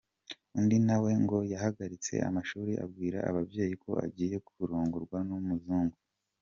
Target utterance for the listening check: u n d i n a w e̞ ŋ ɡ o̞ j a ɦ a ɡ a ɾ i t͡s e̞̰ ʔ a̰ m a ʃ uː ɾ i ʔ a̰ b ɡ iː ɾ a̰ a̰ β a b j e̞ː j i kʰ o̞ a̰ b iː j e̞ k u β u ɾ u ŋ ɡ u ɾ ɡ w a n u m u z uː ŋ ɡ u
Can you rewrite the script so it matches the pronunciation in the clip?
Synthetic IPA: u n d i n a w e̞ ŋ ɡ o̞ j a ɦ a ɡ a ɾ i t͡s e̞̰ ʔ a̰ m a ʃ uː ɾ i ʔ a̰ b ɡ iː ɾ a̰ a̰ β a b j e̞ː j i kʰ o̞ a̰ ɟ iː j e̞ k u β u ɾ uː ŋ ɡ u ɾ ɡ w a n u m u z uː ŋ ɡ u